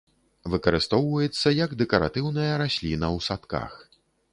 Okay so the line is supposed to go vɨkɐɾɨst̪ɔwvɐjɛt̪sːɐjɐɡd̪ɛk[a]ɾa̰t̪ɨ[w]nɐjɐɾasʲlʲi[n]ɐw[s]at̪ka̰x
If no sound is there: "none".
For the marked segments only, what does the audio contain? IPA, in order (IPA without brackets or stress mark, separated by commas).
ɐ, w, n, s